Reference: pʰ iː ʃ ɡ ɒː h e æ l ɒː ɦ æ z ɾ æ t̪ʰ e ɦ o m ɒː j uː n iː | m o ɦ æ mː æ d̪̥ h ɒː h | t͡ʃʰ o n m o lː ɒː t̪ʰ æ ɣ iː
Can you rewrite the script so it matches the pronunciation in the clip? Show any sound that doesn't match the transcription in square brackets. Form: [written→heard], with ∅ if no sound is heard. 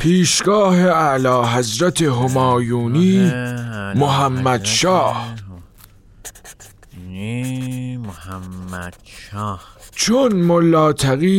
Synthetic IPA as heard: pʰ iː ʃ ɡ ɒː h e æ l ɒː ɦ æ z ɾ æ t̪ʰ e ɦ o m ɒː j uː n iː | m o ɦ æ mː æ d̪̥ [h→ʃ] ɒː h | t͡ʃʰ o n m o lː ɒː t̪ʰ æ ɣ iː